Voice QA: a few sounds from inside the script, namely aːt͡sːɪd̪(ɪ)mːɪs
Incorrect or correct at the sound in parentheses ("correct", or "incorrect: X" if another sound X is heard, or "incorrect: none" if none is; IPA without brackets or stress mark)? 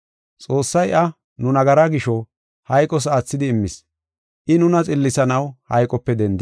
incorrect: ɪː